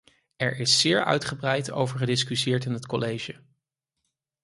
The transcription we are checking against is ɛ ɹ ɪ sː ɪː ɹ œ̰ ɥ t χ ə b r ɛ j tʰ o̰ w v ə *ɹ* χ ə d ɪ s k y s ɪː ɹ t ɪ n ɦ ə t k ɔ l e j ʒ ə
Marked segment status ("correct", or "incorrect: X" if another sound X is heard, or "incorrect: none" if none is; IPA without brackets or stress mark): correct